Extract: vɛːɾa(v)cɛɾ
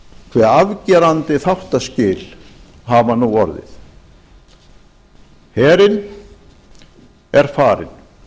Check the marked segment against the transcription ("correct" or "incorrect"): correct